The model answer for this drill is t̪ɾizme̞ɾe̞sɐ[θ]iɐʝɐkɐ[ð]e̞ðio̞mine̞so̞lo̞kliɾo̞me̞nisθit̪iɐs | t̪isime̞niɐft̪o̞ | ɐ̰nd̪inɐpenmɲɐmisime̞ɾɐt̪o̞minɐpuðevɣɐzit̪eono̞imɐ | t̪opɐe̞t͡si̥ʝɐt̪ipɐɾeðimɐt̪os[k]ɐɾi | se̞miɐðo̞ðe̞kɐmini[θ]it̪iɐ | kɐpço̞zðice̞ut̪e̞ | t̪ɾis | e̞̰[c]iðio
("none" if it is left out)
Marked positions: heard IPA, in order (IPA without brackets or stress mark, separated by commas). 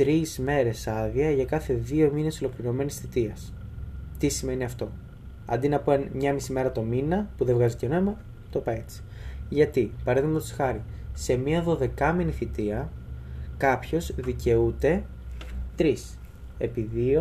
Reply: ð, θ, x, θ, p